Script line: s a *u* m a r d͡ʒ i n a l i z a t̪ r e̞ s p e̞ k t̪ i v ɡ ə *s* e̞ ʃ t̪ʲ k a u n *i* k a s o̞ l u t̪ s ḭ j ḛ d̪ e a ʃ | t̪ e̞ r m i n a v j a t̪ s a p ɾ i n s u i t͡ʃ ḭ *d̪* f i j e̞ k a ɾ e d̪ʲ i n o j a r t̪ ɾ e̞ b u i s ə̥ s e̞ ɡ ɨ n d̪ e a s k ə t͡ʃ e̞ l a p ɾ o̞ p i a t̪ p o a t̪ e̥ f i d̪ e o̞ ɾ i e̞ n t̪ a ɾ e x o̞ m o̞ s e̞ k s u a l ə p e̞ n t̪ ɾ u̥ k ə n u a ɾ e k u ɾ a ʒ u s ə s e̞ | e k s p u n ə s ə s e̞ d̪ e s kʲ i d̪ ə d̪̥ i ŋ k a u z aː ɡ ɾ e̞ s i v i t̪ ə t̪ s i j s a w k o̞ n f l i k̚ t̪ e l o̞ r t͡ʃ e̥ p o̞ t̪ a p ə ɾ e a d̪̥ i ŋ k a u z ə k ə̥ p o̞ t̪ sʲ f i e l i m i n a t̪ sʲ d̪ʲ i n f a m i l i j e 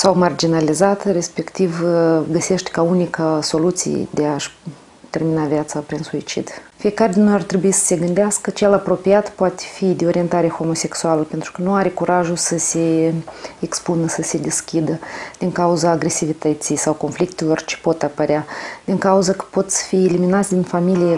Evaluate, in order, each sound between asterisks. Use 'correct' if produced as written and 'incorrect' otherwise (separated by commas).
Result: incorrect, correct, correct, correct